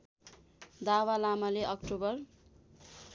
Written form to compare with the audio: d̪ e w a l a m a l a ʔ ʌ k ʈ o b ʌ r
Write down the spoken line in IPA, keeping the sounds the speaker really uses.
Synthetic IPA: d̪ a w a l a m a l e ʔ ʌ k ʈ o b ʌ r